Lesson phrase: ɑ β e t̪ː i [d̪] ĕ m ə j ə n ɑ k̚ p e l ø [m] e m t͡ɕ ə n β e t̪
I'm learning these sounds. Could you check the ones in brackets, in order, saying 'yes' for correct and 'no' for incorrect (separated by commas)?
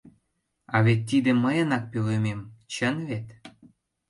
yes, yes